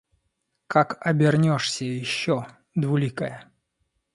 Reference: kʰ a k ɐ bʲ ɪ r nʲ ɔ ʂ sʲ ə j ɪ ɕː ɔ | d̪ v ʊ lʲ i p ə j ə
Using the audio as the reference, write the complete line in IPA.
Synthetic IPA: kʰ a k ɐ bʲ ɪ r nʲ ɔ ʂ sʲ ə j ɪ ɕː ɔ | d̪ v ʊ lʲ i k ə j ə